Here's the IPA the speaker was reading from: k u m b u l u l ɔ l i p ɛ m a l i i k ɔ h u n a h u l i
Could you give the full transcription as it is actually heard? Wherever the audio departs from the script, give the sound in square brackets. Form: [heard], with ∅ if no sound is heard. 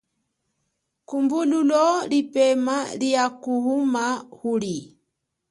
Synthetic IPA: k u m b u l u l ɔ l i p ɛ m a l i [a] k [u] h u [m] a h u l i